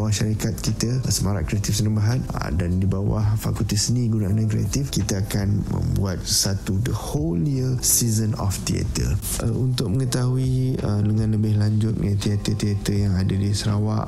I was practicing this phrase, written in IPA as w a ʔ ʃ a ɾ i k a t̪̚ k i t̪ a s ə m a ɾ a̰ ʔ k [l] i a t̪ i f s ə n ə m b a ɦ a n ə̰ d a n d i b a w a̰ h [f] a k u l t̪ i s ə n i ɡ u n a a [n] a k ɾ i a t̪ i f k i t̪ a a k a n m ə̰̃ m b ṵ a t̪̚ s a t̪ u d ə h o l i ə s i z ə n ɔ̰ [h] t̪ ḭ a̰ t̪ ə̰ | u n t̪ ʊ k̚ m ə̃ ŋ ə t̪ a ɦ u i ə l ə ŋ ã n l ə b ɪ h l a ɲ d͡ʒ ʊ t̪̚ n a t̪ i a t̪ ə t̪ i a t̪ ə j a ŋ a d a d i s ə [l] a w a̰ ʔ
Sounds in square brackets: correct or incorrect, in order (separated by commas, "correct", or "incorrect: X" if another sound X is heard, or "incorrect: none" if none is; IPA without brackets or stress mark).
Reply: incorrect: ɾ, correct, correct, incorrect: f, incorrect: ɾ